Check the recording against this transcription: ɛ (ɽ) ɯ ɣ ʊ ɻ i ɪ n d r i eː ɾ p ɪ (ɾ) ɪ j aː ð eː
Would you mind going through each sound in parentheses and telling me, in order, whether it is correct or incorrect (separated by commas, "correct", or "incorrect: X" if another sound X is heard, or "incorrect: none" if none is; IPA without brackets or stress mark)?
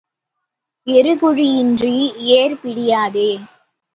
incorrect: ɾ, incorrect: ɽ